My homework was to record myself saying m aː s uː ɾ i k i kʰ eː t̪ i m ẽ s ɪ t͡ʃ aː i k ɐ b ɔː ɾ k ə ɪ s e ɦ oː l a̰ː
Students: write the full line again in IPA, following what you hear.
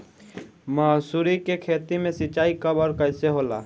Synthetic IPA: m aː s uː ɾ i k e kʰ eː t̪ i m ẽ s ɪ t͡ʃ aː i k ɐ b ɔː ɾ k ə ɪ s e ɦ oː l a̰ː